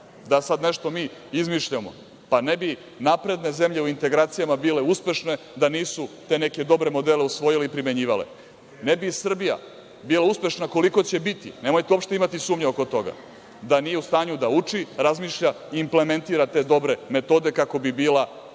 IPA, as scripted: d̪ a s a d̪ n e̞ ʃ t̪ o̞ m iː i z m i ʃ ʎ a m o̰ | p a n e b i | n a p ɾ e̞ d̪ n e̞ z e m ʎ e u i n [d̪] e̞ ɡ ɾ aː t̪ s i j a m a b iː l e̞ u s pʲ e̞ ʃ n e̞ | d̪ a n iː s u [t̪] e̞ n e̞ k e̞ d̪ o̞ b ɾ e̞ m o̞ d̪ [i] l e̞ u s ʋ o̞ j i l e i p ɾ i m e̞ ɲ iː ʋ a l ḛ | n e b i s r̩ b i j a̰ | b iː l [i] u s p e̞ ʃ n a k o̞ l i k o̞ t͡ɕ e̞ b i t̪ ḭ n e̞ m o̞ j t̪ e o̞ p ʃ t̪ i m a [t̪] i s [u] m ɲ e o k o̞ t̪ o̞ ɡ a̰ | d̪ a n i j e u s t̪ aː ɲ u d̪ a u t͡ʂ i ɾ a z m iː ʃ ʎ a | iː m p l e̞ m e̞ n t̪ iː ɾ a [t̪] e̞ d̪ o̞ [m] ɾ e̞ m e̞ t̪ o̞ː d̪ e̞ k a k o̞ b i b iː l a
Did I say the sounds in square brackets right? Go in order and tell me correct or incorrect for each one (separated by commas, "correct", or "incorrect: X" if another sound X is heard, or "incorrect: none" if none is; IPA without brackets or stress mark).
incorrect: t̪, correct, incorrect: e, incorrect: a, correct, incorrect: uː, correct, incorrect: b